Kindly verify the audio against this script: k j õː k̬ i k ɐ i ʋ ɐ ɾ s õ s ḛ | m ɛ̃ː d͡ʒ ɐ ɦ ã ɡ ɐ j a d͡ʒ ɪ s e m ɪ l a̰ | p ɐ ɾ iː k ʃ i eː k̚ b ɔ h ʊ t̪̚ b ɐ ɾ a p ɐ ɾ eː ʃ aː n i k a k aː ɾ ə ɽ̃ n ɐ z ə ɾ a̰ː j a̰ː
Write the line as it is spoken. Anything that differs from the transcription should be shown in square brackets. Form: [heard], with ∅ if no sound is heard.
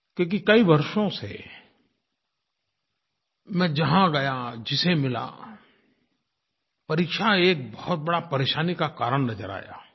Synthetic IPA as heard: k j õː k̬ i k ɐ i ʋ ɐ ɾ [ʃ] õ s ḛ | m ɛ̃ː d͡ʒ ɐ ɦ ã ɡ ɐ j a d͡ʒ ɪ s e m ɪ l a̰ | p ɐ ɾ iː k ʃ [a] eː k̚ b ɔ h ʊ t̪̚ b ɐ [ɽ] a p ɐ ɾ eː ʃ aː n i k a k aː ɾ ə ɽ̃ n ɐ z ə ɾ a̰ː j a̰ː